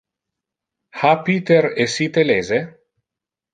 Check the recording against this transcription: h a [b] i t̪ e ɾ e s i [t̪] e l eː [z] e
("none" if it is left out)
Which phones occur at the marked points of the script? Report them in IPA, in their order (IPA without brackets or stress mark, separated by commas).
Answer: p, t̪, z